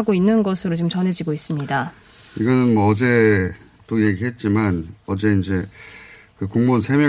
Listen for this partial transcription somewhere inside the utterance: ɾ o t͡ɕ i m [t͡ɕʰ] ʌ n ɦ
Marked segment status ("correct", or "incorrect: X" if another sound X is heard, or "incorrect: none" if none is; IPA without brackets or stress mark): incorrect: t͡ɕ